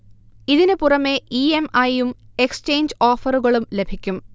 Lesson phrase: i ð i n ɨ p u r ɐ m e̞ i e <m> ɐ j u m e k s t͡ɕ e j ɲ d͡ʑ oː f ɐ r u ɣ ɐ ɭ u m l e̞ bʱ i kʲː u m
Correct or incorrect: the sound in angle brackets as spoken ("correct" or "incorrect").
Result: correct